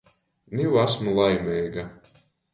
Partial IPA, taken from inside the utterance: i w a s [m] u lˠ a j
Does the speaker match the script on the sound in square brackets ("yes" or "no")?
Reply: yes